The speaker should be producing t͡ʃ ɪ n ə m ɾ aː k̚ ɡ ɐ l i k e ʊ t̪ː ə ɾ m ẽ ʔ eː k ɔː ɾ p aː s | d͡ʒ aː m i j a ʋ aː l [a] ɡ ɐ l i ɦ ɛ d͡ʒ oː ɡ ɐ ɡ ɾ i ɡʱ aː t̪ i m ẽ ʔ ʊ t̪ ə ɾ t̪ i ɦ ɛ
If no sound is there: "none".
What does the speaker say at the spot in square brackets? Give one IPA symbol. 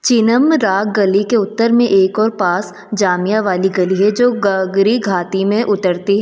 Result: i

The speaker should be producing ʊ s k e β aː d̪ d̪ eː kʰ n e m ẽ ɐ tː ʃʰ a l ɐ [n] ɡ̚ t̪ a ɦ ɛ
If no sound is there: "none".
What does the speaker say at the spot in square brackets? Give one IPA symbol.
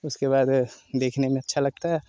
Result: none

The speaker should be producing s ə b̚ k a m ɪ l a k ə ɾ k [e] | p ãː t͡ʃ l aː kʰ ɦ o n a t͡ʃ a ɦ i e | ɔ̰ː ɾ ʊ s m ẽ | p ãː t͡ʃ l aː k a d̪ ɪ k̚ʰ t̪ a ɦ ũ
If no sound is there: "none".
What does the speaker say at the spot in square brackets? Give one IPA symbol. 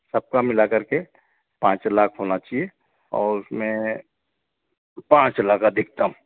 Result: e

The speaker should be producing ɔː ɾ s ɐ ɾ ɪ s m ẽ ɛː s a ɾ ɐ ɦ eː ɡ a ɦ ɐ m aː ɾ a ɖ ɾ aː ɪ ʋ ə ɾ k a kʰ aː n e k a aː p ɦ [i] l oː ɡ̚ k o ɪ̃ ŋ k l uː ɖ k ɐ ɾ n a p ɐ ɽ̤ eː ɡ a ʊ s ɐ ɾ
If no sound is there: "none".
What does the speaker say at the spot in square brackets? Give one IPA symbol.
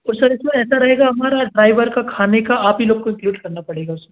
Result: i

